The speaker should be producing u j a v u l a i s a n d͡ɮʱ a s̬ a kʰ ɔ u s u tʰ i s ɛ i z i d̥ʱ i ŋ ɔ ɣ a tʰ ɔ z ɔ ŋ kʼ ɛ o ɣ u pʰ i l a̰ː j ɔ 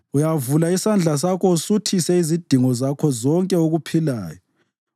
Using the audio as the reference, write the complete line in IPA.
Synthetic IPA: u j a v u l a i s a n d͡ɮʱ a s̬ a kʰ ɔ u s u tʰ i s ɛ i z i d̥ʱ i ŋ ɔ z a kʰ ɔ z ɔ ŋ kʼ ɛ o ɣ u pʰ i l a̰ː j ɔ

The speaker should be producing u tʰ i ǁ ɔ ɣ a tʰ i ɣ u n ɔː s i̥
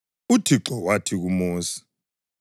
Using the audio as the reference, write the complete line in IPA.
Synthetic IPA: u tʰ i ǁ ɔ w a tʰ i ɣ u m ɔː s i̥

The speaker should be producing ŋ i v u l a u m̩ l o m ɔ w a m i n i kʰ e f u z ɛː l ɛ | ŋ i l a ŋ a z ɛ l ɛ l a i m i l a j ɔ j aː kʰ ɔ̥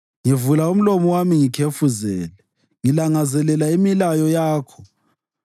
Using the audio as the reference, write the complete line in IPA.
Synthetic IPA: ŋ i v u l a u m̩ l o m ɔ w a m i ŋ i kʰ e f u z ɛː l ɛ | ŋ i l a ŋ a z ɛ l ɛ l a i m i l a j ɔ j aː kʰ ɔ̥

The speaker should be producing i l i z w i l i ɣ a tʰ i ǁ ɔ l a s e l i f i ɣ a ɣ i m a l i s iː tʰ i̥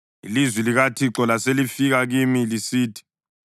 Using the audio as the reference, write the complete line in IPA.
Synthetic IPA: i l i z w i l i ɣ a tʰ i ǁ ɔ l a s e l i f i ɣ a ɣ i m i l i s iː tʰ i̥

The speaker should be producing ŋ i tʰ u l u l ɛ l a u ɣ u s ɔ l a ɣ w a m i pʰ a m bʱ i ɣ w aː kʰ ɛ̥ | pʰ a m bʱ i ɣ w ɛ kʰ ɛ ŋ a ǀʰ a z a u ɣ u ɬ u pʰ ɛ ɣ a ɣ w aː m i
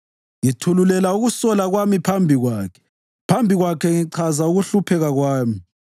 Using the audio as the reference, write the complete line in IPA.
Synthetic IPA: ŋ i tʰ u l u l ɛ l a u ɣ u s ɔ l a ɣ w a m i pʰ a m bʱ i ɣ w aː kʰ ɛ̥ | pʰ a m bʱ i ɣ w a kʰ ɛ ŋ i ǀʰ a z a u ɣ u ɬ u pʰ ɛ ɣ a ɣ w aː m i

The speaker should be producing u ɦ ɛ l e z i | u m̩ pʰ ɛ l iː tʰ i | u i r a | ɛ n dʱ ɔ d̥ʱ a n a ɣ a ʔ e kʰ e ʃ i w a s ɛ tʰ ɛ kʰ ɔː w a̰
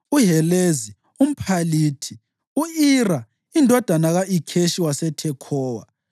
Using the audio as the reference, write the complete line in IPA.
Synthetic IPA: u ɦ ɛ l e z i | u m̩ pʰ a l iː tʰ i | u i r a | i n dʱ ɔ d̥ʱ a n a ɣ a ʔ i kʰ e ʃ i w a s ɛ tʰ ɛ kʰ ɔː w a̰

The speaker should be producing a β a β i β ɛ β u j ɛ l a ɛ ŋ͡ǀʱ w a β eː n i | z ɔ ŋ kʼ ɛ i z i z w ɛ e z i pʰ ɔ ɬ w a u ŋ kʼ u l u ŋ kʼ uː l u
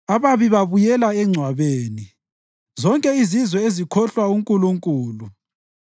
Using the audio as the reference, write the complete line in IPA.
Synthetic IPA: a β a β i β a β u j ɛ l a ɛ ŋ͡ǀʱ w a β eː n i | z ɔ ŋ kʼ ɛ i z i z w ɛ e z i kʰ ɔ ɬ w a u ŋ kʼ u l u ŋ kʼ uː l u

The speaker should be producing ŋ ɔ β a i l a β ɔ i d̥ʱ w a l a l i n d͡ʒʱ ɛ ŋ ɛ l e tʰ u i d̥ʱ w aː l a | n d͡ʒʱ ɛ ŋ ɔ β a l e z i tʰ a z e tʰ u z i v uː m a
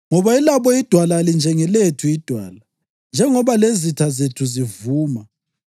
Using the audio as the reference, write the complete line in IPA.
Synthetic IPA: ŋ ɔ β a i l a β ɔ i d̥ʱ w a l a l i n d͡ʒʱ ɛ ŋ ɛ l e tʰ u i d̥ʱ w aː l a | n d͡ʒʱ ɛ ŋ ɔ β a l e z i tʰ a z e tʰ u z i v uː m a

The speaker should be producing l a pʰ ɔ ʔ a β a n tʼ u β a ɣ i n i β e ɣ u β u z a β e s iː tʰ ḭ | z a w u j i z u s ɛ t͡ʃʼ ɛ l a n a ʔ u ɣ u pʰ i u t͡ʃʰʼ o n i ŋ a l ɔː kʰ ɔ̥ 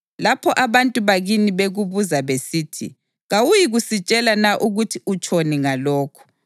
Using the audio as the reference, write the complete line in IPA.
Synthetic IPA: l a pʰ ɔ ʔ a β a n tʼ u β a ɣ i n i β e ɣ u β u z a β e s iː tʰ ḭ | ɣ a w u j i ɣ u s i t͡ʃʼ ɛ l a n a ʔ u ɣ u tʰ i u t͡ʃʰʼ o n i ŋ a l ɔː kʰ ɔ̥

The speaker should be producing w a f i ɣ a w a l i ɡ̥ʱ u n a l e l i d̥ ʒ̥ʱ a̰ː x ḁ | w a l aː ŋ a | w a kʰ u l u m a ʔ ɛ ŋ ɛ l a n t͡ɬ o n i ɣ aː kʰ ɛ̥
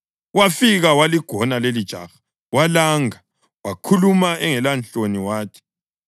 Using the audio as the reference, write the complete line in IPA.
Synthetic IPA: w a f i ɣ a w a l i ɡ̥ʱ ɔ n a l e l i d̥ ʒ̥ʱ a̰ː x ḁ | w a l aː ŋ a | w a kʰ u l u m a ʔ ɛ ŋ ɛ l a n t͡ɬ o n i w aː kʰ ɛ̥

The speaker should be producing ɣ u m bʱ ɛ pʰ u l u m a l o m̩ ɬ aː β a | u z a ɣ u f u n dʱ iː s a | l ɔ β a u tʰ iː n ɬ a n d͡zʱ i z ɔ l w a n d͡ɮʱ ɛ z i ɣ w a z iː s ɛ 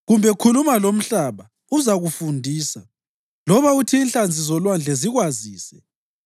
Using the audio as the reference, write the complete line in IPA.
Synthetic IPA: ɣ u m bʱ ɛ kʰ u l u m a l o m̩ ɬ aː β a | u z a ɣ u f u n dʱ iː s a | l ɔ β a u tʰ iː n ɬ a n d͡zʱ i z ɔ l w a n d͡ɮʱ ɛ z i ɣ w a z iː s ɛ

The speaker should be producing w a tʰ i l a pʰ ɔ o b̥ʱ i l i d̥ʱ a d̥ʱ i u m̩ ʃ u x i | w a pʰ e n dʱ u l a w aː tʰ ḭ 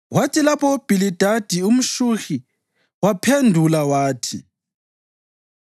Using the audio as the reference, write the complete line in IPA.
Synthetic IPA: w a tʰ i l a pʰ ɔ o b̥ʱ i l i d̥ʱ a d̥ʱ i u m̩ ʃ u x i | w a pʰ e n dʱ u l a w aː tʰ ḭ

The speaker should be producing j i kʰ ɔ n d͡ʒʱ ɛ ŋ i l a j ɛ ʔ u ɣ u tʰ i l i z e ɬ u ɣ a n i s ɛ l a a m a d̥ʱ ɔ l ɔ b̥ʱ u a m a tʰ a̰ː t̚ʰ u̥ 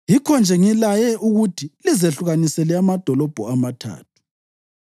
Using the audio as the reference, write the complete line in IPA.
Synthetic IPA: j i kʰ ɔ n d͡ʒʱ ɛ ŋ i l a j ɛ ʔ u ɣ u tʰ i l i z e ɬ u ɣ a n i s ɛ l ɛ a m a d̥ʱ ɔ l ɔ b̥ʱ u a m a tʰ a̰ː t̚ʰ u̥

